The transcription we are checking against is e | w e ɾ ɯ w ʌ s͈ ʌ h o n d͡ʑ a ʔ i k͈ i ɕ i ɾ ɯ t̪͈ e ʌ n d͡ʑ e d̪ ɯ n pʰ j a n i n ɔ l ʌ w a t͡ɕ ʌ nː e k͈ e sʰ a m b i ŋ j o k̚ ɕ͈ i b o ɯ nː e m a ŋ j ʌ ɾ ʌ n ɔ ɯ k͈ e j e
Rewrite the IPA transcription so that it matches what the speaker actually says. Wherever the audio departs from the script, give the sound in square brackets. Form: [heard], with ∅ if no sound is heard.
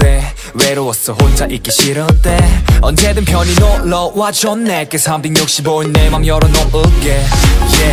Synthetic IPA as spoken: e | w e ɾ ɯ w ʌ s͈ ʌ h o n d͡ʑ a ʔ i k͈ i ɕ i ɾ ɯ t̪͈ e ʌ n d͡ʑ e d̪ ɯ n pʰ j [ʌ] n i n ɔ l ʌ w a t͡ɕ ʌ nː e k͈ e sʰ a m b i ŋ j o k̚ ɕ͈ i b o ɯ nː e m a ŋ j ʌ ɾ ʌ n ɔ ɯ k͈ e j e